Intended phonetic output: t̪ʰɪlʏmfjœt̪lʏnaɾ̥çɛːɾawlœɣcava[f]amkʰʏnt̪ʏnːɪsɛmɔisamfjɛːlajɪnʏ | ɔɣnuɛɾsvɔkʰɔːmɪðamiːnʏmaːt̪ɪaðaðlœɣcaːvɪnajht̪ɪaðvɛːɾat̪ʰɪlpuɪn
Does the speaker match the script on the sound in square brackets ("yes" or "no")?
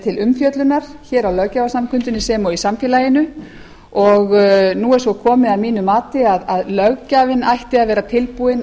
no